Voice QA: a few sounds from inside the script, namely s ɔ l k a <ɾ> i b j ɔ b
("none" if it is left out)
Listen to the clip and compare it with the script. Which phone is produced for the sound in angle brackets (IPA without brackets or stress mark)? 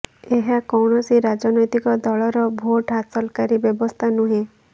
ɾ